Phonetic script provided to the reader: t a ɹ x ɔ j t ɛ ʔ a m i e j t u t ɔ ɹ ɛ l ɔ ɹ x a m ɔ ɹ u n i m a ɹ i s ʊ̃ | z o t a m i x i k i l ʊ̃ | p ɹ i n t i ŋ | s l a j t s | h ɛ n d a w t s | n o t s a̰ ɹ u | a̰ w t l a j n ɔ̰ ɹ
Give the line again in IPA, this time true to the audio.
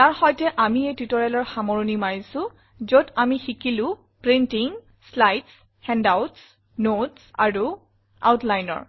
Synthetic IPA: t a ɹ x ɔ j t ɛ ʔ a m i e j t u t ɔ ɹ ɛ l ɔ ɹ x a m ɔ ɹ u n i m a ɹ i s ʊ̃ | z o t a m i x i k i l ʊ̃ | p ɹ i n t i ŋ | s l a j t s | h ɛ n d a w t s | n o t s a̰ ɹ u | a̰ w t l a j n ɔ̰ ɹ